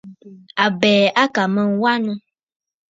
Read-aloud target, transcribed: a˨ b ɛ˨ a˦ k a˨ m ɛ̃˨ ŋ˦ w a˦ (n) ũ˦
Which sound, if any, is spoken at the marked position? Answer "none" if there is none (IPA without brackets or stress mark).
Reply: n